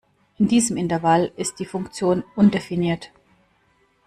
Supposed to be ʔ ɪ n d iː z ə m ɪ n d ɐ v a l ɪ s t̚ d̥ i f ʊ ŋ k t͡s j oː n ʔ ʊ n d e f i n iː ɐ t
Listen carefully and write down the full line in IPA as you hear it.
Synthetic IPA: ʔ ɪ n d iː z ə m ɪ n t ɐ v a l ɪ s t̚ d̥ iː f ʊ ŋ k t͡s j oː n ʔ ʊ n d e f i n iː ɐ t